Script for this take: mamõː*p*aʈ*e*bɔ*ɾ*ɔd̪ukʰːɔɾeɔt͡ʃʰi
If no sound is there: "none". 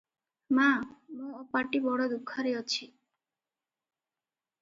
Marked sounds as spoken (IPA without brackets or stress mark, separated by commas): p, i, ɽ